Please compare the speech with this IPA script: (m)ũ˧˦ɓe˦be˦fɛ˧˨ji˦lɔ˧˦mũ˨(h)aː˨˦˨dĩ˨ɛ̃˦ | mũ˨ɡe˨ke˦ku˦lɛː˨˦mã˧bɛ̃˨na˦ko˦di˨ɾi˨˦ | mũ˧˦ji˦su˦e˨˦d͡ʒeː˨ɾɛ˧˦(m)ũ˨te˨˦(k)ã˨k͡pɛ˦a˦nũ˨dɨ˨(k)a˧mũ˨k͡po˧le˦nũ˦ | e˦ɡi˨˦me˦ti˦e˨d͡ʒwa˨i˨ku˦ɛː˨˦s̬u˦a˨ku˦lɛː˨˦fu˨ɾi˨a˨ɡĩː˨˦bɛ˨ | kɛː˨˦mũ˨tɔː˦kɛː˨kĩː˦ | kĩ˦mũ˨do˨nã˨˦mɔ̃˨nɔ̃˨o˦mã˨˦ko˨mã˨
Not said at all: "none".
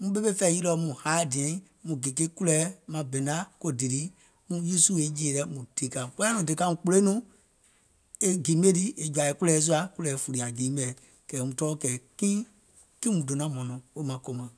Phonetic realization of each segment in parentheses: m, h, m, k, k

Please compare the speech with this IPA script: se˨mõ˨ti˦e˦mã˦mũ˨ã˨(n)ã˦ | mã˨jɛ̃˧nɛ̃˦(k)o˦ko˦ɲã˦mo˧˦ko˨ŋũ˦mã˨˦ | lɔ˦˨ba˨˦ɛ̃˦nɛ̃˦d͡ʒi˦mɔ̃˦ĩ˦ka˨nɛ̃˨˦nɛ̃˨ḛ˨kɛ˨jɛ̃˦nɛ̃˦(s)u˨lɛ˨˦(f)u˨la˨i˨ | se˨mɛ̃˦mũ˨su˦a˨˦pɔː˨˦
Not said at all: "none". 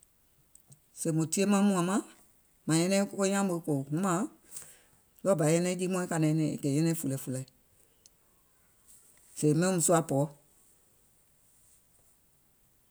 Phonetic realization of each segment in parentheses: m, k, f, f

